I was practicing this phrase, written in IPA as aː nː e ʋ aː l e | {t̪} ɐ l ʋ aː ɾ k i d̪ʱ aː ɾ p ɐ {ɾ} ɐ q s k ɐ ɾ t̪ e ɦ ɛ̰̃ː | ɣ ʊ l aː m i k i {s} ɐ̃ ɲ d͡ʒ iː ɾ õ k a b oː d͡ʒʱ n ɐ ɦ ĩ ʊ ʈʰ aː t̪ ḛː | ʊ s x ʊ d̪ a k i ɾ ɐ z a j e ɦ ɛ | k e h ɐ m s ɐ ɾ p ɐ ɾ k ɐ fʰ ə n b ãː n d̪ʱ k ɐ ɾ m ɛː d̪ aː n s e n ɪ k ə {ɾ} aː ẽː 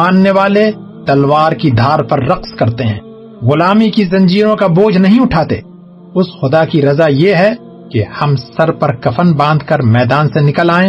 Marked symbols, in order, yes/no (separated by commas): yes, no, no, no